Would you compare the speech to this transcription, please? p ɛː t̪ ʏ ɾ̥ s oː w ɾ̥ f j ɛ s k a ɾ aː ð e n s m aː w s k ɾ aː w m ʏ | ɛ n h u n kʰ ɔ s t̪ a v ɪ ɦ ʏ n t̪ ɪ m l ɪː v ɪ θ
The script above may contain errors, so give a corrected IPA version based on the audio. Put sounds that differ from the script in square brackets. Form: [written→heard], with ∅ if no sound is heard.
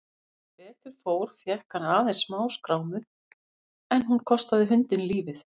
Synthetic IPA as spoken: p ɛː t̪ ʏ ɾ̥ [s→f] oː w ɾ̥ f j ɛ [s→h] k a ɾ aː ð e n s m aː w s k ɾ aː w m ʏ | ɛ n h u n kʰ ɔ s t̪ a [v→ð] ɪ ɦ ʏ n t̪ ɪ [m→n] l [ɪː→iː] v ɪ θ